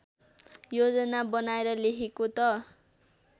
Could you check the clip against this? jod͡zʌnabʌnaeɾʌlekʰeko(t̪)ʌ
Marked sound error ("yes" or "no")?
no